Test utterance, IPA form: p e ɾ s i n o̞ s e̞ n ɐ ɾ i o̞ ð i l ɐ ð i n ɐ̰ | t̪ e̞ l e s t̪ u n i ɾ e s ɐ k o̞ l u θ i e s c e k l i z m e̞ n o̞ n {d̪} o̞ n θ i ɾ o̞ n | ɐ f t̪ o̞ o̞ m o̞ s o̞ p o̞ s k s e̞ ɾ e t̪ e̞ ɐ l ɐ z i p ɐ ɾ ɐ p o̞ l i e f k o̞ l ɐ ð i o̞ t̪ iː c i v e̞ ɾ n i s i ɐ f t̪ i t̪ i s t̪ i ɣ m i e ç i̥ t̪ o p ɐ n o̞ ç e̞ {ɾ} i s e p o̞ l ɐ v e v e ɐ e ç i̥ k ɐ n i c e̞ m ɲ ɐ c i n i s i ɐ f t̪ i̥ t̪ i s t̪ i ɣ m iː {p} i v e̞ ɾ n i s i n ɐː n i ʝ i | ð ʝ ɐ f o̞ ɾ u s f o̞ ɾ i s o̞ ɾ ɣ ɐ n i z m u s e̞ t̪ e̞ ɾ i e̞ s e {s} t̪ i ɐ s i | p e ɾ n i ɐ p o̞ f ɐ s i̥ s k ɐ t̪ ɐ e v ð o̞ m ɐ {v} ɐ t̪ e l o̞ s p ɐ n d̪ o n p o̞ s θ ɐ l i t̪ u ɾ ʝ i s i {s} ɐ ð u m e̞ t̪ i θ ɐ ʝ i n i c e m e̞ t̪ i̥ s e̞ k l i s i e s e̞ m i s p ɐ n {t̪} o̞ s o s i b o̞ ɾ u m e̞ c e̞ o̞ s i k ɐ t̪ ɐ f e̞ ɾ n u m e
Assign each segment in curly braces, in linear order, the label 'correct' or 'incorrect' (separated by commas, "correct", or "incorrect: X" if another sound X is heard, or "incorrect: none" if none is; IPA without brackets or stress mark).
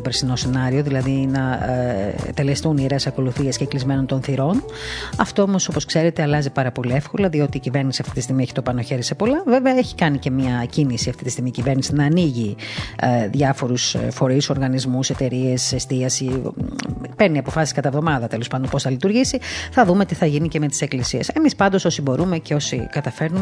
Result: incorrect: t̪, correct, incorrect: c, correct, incorrect: ð, incorrect: θ, incorrect: d̪